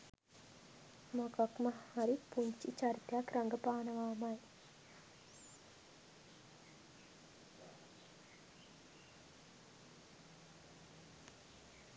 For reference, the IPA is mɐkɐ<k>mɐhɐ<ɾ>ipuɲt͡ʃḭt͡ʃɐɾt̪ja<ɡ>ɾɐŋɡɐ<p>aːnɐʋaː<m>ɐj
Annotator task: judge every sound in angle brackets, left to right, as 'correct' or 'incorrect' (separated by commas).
correct, correct, incorrect, correct, correct